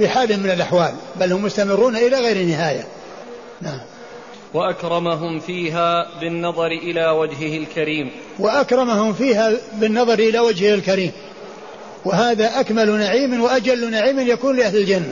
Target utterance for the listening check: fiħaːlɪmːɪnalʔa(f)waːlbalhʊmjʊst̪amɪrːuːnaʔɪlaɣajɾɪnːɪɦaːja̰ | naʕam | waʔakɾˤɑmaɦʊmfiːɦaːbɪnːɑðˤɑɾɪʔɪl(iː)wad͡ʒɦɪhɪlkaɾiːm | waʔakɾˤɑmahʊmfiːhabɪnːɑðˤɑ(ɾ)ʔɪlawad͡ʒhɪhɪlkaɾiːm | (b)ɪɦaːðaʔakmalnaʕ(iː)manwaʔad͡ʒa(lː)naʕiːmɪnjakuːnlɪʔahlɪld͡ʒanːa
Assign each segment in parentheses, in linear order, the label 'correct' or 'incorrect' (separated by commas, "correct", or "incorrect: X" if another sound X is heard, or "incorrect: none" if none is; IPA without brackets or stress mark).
incorrect: ħ, incorrect: aː, correct, incorrect: w, correct, correct